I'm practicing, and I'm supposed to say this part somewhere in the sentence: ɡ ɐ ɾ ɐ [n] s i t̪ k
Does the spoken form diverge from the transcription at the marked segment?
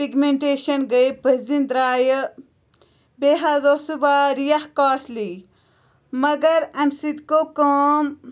yes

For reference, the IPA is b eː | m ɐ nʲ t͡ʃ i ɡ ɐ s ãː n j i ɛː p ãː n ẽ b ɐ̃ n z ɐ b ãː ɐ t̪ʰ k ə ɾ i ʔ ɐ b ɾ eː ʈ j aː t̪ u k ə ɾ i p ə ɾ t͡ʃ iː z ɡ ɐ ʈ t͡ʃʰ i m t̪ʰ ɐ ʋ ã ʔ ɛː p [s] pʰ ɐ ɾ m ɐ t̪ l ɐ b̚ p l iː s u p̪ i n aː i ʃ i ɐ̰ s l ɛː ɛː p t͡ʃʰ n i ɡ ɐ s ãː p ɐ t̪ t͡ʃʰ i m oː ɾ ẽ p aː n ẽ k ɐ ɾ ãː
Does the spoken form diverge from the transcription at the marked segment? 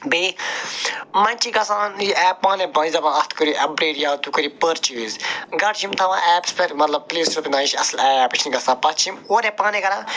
no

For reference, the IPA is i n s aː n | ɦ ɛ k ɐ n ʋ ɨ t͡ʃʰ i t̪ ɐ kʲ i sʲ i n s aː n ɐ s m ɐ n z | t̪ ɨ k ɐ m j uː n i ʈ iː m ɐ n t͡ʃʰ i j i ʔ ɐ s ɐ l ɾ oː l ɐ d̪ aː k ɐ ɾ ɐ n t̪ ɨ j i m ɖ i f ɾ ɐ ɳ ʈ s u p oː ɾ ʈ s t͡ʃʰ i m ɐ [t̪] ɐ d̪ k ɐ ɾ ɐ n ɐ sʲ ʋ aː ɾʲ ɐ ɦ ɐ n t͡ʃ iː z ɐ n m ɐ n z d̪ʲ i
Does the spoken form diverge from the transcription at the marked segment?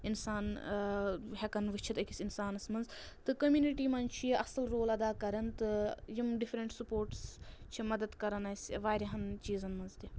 yes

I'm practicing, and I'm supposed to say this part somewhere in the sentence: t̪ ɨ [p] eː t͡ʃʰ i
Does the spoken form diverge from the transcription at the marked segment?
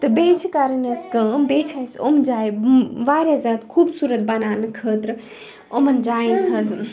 yes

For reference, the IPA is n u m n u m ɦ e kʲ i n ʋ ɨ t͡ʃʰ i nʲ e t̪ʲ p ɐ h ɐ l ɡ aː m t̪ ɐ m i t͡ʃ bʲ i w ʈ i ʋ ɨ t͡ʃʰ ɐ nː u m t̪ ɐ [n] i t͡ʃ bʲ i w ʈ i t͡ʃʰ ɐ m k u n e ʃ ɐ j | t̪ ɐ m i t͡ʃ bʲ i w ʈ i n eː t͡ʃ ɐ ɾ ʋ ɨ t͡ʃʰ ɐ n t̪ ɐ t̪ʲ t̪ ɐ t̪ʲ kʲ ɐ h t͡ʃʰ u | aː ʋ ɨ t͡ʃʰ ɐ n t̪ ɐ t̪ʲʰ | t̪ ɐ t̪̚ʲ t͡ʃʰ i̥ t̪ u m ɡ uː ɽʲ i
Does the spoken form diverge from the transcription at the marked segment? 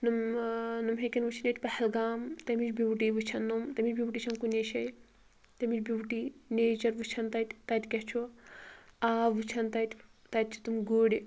yes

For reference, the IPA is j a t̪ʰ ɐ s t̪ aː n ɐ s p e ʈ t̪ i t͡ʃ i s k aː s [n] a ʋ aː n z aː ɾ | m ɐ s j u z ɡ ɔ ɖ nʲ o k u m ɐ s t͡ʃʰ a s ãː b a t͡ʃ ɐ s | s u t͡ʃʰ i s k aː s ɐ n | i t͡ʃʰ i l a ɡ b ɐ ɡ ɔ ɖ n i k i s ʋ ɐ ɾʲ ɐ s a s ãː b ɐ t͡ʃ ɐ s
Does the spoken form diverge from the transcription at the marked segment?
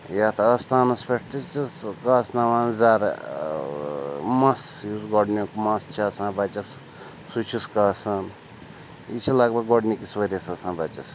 no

